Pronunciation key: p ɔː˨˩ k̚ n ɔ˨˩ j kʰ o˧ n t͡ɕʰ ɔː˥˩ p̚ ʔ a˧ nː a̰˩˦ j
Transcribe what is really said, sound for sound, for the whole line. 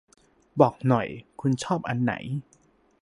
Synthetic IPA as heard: b ɔː˨˩ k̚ n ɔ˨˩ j kʰ u˧ n t͡ɕʰ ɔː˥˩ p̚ ʔ a˧ nː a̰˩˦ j